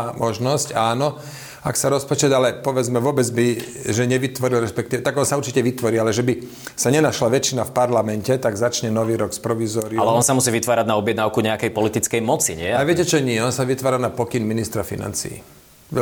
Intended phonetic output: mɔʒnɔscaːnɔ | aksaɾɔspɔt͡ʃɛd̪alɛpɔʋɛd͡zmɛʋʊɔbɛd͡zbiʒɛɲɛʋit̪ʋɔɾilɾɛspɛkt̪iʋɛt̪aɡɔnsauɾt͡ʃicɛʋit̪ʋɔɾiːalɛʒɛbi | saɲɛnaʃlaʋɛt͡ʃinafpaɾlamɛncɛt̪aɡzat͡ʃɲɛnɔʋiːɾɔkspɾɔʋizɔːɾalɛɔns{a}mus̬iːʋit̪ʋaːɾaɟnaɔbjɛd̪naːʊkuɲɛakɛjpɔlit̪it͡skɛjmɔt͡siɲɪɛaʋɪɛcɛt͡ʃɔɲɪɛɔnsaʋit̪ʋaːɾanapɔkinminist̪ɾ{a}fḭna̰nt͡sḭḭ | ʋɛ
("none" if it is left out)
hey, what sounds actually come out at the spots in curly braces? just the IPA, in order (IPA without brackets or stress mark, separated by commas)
a, a